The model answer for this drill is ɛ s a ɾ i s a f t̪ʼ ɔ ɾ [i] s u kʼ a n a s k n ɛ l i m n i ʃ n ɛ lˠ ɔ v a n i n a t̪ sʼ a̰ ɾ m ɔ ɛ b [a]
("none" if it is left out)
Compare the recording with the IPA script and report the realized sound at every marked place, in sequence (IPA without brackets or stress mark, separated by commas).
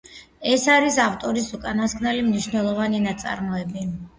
i, i